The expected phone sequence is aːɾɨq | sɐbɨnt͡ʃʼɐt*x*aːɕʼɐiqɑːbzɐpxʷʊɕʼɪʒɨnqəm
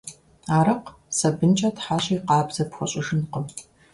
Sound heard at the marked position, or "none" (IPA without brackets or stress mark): ħ